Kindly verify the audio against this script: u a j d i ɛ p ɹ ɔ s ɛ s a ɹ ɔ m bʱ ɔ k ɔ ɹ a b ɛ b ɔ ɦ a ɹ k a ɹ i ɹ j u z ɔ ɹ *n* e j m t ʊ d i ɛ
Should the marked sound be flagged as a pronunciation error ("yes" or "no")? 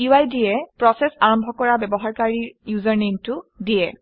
no